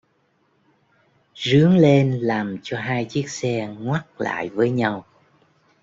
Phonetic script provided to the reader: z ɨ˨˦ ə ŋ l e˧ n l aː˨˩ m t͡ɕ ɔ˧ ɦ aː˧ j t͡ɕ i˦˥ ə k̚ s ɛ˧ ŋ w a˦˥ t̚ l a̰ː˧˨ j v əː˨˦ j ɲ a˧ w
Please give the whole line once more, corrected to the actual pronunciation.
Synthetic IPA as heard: z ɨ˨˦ ə ŋ l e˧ n l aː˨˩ m t͡ɕ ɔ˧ ɦ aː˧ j t͡ɕ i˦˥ ə k̚ s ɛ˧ ŋ w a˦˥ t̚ l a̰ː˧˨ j v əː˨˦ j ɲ a˧ w

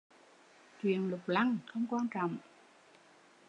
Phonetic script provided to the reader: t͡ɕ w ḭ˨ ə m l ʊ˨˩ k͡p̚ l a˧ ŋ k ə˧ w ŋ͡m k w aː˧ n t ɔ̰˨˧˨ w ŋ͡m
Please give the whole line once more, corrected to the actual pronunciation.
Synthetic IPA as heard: t͡ɕ w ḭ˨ ə n l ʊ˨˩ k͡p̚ l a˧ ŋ x ə˧ w ŋ͡m k w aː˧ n t͡ɕ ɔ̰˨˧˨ w ŋ͡m

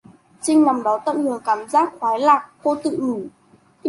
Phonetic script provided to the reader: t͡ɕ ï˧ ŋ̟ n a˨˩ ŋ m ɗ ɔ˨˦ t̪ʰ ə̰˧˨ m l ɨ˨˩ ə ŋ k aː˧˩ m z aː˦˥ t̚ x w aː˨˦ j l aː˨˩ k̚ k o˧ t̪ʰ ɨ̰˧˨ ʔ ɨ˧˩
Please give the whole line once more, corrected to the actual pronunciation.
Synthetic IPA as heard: t͡ɕ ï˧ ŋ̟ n a˨˩ m ɗ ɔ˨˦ t̪ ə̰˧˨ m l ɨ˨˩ ə ŋ k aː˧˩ m z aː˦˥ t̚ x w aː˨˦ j l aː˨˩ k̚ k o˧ t̪ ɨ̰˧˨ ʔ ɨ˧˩

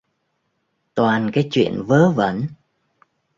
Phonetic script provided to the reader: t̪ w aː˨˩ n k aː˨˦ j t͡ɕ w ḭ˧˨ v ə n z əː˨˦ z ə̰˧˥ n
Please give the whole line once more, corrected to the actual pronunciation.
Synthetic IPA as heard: t̪ w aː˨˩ n k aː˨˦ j t͡ɕ w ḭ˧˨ ə n v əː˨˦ v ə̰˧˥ n

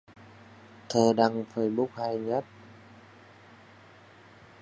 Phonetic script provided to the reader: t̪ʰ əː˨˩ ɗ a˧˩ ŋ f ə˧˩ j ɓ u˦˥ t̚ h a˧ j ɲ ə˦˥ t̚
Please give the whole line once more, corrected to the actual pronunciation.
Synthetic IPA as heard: t̪ʰ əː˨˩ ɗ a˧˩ ŋ f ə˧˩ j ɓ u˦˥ k̚ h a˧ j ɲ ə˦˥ t̚

